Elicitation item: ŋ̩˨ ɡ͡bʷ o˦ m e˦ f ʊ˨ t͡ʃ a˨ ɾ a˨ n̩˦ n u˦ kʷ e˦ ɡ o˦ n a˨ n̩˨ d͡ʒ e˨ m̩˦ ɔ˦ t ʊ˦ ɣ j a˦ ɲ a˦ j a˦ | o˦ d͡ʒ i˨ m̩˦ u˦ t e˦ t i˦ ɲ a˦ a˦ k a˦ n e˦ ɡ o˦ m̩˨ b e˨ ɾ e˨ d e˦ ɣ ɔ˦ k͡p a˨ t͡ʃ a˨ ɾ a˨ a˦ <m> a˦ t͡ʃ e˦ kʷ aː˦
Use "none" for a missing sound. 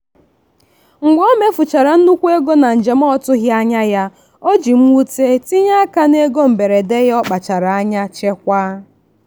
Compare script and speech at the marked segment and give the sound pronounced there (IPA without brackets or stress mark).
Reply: ɲ